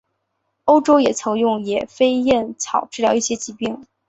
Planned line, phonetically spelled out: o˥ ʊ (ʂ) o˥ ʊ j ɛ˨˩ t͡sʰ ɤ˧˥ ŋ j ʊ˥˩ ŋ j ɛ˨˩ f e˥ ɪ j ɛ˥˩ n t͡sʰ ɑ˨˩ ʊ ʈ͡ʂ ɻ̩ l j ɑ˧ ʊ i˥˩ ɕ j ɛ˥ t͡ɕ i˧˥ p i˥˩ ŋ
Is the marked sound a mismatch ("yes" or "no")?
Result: yes